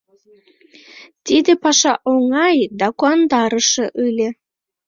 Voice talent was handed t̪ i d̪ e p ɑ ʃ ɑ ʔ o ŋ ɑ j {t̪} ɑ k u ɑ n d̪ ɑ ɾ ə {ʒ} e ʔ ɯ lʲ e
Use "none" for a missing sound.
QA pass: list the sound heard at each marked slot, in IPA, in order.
d̪, ʃ

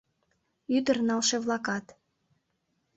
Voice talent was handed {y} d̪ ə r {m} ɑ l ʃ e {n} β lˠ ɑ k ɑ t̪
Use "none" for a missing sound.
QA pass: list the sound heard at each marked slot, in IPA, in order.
y, n, none

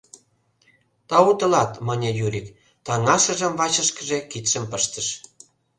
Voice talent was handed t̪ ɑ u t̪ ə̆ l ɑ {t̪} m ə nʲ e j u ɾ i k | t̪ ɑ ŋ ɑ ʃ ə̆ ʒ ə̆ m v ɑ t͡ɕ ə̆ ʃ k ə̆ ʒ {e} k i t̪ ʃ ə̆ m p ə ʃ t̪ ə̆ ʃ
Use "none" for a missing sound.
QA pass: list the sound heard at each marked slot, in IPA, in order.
t̪, e

